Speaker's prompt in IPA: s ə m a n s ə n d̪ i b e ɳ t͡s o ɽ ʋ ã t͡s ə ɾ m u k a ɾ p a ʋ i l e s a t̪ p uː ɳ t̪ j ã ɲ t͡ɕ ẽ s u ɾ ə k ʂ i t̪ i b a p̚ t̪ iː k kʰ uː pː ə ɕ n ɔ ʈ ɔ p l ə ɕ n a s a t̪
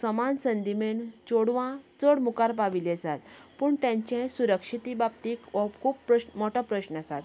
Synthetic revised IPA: s ə m a n s ə n d̪ i m e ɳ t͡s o ɽ ʋ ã t͡s ə ɽ m u k a ɾ p a ʋ i l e s a t̪ p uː ɳ t̪ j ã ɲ t͡ɕ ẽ s u ɾ ə k ʂ i t̪ i b a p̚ t̪ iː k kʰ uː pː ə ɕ m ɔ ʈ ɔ p ɾ ə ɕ n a s a t̪

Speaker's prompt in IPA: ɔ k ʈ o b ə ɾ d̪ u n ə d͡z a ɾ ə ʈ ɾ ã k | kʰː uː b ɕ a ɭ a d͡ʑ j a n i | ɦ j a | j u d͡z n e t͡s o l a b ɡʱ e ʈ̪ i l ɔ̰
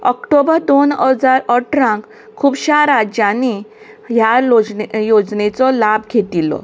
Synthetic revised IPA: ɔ k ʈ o b ə ɾ d̪ o n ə d͡z a ɾ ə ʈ ɾ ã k | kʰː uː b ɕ a ɾ a d͡ʑ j a n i | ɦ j a | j o d͡z n e t͡s ɔ l a b ɡʱ e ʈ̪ i l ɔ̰

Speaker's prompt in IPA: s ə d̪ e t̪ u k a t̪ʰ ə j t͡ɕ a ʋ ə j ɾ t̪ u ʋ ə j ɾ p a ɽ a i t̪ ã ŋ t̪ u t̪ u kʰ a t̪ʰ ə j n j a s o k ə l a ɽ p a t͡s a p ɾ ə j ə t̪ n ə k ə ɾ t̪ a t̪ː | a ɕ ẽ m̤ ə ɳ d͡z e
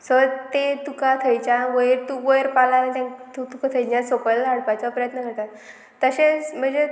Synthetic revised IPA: s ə t̪ e t̪ u k a t̪ʰ ə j t͡ɕ a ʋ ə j ɾ t̪ u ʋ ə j ɾ p a l a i t̪ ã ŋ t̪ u t̪ u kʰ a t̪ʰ ə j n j a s o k ə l a ɽ p a t͡s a p ɾ ə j ə t̪ n ə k ə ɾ t̪ a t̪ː | ə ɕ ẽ m̤ ə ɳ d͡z e

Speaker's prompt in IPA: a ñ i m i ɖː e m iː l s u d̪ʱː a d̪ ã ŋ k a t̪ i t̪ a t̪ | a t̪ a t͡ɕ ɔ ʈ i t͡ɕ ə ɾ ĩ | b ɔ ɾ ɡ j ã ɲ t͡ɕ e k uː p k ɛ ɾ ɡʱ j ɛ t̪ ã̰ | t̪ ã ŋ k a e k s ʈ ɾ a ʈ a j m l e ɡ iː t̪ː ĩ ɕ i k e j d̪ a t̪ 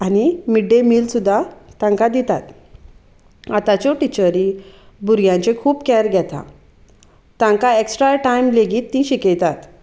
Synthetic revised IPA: a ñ i m i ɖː e m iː l s u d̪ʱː a t̪ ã ŋ k a d̪ i t̪ a t̪ | a t̪ a t͡ɕ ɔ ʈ i t͡ɕ ə ɾ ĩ | b u ɾ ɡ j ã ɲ t͡ɕ e kʰ uː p k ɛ ɾ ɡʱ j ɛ t̪ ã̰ | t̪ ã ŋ k a e k s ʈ ɾ a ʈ a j m l e ɡ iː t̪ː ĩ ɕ i k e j t̪ a t̪

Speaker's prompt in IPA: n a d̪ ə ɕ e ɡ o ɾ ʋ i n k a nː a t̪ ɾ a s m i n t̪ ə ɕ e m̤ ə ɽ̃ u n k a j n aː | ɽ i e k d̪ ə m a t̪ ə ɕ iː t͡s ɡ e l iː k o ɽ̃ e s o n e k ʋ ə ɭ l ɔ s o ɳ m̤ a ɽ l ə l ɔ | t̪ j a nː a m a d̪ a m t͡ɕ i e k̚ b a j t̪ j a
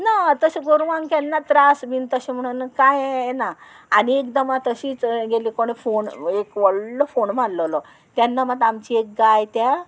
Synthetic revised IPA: n a t̪ ə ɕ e ɡ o ɾ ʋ a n k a nː a t̪ ɾ a s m i n t̪ ə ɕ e m̤ ə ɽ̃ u n k a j n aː | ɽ i e k d̪ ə m a t̪ ə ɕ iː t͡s ɡ e l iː k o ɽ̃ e f o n e k ʋ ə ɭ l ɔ f o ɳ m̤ a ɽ l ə l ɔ | t̪ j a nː a m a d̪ a m t͡ɕ i e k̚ ɡ a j t̪ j a

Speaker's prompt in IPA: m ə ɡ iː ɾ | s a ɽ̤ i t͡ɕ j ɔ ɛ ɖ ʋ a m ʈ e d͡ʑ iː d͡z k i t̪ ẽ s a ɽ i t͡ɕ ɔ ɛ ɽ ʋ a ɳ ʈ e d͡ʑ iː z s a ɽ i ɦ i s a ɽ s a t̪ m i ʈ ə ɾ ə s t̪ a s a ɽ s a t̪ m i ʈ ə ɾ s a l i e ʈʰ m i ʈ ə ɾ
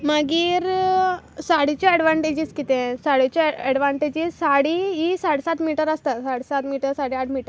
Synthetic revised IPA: m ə ɡ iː ɾ | s a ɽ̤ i t͡ɕ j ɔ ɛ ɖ ʋ a ɳ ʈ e d͡ʑ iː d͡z k i t̪ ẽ s a ɽ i t͡ɕ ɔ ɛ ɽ ʋ a ɳ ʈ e d͡ʑ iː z s a ɽ i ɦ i s a ɽ s a t̪ m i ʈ ə ɾ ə s t̪ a s a ɽ s a t̪ m i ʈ ə ɾ s a ɽ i a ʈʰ m i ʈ ə ɾ

